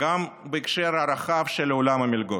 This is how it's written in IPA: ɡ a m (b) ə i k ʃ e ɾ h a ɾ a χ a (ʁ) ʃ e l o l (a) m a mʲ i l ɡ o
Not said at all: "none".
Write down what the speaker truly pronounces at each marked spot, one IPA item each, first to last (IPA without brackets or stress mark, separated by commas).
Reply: b, v, a